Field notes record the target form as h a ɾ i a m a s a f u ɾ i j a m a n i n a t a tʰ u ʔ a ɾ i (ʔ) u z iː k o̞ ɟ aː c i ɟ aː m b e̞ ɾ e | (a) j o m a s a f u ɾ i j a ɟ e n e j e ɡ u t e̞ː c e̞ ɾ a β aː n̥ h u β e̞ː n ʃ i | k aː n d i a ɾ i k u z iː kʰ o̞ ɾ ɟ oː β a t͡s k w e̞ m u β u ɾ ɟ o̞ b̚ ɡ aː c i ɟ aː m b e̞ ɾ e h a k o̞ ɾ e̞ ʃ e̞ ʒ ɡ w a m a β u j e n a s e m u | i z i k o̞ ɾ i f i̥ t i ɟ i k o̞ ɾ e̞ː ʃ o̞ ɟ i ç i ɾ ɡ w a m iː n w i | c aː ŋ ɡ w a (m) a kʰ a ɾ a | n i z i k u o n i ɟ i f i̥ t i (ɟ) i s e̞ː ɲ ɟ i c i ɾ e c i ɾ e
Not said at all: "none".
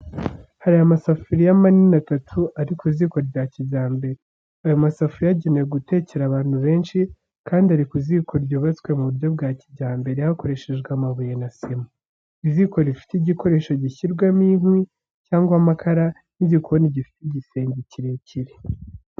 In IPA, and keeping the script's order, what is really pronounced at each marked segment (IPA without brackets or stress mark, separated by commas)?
k, a, m, ɟ